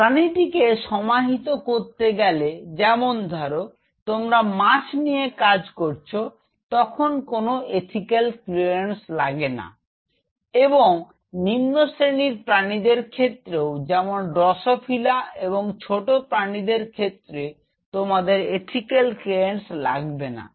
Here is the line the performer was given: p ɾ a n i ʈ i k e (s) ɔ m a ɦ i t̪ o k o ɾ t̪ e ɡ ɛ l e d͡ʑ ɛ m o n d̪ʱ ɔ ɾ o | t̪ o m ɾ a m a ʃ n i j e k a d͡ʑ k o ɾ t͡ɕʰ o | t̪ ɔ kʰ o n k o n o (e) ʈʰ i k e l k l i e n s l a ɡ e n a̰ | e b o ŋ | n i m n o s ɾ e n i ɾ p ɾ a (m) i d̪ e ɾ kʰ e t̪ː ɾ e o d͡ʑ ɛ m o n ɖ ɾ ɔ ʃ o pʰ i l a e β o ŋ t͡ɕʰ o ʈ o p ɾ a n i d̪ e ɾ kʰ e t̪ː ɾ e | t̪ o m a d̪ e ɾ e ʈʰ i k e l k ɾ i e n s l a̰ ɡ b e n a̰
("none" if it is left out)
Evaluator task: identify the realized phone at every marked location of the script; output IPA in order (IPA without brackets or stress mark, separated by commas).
ʃ, e, n